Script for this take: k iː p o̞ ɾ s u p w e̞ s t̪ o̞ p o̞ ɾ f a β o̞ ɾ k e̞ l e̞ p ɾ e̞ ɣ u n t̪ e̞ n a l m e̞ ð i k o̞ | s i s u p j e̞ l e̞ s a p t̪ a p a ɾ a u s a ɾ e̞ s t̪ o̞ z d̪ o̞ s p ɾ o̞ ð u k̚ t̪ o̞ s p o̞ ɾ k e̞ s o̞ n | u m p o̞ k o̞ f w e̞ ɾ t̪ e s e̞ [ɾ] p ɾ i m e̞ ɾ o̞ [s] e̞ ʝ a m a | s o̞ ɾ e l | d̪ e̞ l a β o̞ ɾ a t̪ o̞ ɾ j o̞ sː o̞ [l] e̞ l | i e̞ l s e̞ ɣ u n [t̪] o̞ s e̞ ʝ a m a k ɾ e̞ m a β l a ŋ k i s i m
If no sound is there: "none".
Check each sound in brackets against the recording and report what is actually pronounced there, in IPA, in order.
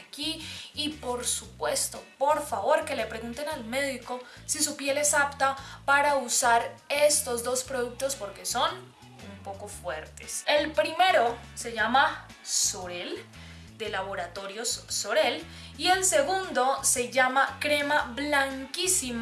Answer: l, s, ɾ, d̪

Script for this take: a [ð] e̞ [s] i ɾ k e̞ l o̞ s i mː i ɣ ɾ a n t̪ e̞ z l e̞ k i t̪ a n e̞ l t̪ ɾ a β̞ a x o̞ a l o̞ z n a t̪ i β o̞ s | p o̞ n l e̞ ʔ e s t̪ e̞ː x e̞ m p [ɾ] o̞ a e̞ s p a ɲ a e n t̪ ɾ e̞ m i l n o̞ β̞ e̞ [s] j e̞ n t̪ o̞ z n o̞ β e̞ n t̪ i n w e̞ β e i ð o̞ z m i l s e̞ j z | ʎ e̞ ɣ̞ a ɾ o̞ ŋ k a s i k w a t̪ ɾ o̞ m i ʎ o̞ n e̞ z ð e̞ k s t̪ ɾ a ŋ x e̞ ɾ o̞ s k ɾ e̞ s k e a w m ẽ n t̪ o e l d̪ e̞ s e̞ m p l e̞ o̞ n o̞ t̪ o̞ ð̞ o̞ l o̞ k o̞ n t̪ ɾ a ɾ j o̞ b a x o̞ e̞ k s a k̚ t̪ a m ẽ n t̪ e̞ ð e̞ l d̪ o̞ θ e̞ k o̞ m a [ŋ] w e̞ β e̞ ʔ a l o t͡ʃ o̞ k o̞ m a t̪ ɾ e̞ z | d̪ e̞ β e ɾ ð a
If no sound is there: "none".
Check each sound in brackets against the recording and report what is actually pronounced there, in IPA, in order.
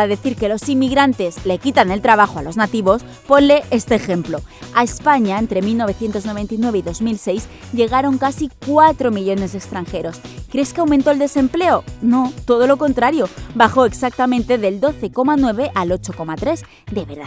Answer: ð, θ, l, θ, n

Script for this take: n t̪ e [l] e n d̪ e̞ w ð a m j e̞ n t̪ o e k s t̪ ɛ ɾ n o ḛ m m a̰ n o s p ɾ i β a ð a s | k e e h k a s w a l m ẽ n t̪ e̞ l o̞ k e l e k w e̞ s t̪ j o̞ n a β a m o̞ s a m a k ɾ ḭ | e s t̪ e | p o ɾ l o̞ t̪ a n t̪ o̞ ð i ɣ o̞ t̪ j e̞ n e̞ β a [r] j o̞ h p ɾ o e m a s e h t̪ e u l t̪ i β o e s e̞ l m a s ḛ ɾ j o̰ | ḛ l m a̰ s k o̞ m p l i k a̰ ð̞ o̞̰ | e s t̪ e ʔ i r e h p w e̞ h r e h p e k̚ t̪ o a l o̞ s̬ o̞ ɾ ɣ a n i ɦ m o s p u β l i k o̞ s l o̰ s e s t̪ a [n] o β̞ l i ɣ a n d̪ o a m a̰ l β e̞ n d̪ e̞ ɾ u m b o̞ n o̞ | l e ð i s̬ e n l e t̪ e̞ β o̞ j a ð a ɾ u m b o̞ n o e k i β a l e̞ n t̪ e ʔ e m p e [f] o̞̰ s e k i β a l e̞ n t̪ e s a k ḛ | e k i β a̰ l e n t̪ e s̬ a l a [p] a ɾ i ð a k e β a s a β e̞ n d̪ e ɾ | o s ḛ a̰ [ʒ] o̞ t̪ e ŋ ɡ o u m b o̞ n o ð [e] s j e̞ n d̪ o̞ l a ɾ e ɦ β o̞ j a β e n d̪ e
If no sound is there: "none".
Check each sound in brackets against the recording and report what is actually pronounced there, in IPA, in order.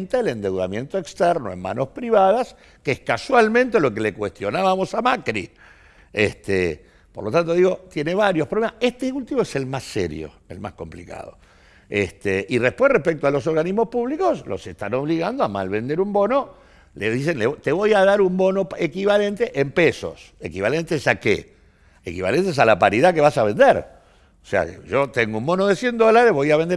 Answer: l, ɾ, n, s, p, ʒ, e

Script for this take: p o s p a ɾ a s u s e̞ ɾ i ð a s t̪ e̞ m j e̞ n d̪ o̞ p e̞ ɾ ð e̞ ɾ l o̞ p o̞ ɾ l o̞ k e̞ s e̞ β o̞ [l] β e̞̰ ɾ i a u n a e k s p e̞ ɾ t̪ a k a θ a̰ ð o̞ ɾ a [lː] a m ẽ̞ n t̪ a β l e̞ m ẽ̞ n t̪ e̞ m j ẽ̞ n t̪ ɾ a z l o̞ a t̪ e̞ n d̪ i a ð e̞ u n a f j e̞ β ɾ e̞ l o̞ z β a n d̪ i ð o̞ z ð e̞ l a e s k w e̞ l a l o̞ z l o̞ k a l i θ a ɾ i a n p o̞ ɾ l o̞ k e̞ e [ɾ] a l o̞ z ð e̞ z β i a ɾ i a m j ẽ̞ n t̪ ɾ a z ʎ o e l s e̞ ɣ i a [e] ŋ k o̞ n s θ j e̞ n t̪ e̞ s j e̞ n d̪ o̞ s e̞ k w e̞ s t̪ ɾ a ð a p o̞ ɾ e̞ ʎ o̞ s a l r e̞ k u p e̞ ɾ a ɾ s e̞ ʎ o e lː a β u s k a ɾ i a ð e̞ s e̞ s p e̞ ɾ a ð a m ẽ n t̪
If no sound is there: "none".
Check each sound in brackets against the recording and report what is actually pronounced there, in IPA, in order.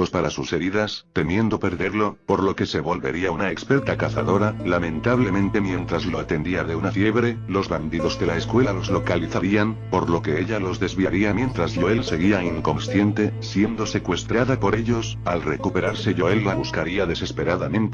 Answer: l, l, ʎ, i

